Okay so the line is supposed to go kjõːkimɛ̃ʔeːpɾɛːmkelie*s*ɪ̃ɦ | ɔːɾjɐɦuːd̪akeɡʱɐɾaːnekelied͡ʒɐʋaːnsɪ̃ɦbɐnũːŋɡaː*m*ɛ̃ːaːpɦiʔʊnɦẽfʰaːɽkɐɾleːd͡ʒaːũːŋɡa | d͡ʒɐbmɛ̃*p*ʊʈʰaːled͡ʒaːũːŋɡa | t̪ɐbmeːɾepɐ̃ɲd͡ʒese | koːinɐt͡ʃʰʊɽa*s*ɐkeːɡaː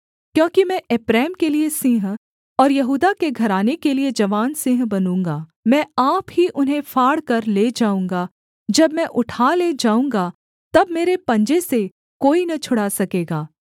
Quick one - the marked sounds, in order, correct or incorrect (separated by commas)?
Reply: correct, correct, incorrect, correct